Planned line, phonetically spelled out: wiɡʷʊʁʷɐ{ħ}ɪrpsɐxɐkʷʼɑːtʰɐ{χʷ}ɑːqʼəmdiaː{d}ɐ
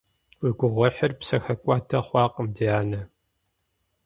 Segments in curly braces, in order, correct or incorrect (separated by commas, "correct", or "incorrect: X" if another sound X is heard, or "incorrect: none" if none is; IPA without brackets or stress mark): correct, correct, incorrect: n